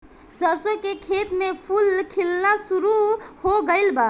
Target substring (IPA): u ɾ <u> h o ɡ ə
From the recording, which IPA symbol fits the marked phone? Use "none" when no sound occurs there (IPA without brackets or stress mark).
u